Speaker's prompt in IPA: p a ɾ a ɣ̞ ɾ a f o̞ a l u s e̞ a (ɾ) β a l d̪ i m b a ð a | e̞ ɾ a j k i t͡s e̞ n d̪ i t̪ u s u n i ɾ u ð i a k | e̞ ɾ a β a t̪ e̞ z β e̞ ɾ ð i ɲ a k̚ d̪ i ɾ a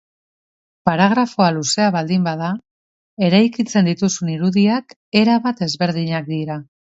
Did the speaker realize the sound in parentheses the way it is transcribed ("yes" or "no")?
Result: no